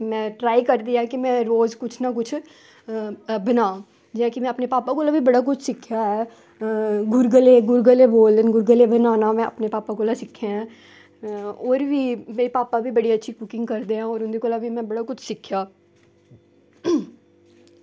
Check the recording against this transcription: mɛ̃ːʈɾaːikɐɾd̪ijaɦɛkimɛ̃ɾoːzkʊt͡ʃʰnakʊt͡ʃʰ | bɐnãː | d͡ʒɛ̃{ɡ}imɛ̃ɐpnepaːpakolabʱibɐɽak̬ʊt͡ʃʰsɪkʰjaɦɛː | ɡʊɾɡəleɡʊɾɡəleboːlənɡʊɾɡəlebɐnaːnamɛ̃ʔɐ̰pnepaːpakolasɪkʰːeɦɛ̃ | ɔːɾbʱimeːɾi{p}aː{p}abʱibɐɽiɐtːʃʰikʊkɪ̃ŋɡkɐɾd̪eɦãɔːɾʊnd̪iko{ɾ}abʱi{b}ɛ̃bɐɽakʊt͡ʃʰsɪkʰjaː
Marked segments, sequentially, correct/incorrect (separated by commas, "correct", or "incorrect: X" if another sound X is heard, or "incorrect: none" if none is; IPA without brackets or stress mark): incorrect: k, correct, correct, incorrect: l, incorrect: m